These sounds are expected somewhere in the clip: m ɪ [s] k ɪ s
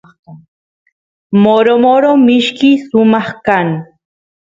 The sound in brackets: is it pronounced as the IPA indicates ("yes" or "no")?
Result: no